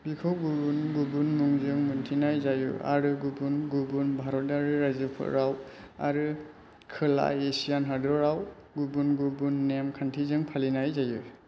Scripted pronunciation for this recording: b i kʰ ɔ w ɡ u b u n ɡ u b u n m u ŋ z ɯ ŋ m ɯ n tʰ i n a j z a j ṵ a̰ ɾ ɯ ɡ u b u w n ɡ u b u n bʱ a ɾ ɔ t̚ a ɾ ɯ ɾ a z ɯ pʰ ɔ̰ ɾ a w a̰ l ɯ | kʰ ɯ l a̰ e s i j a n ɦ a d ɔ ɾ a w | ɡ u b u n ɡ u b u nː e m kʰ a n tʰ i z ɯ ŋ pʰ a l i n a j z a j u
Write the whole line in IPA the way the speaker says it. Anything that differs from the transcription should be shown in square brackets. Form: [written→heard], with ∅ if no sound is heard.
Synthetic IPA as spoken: b i kʰ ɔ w ɡ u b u n ɡ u b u n m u ŋ z ɯ ŋ m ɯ n tʰ i n a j z a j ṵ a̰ ɾ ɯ ɡ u b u [w→∅] n ɡ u b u n bʱ a ɾ ɔ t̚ a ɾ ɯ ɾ a z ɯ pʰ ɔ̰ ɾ a w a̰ [l→ɾ] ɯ | kʰ ɯ l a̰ e s i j a n ɦ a d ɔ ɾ a w | ɡ u b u n ɡ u b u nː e m kʰ a n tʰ i z ɯ ŋ pʰ a l i n a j z a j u